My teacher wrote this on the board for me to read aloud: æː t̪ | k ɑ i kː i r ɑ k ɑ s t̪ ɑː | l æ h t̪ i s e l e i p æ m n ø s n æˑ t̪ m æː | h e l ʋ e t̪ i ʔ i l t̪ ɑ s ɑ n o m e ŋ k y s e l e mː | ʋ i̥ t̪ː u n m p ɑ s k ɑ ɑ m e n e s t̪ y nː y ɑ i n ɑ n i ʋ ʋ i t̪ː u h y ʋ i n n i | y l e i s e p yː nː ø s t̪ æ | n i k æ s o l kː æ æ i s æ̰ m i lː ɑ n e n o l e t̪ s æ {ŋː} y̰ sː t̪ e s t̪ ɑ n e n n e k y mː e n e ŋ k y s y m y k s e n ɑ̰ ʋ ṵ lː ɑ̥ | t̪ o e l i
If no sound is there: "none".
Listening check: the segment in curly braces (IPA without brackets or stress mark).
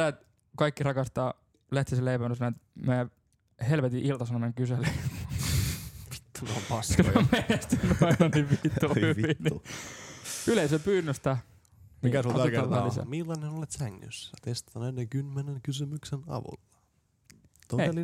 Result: ŋː